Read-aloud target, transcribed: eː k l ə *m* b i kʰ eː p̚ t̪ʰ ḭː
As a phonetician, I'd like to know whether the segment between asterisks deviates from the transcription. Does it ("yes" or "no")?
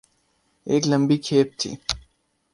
no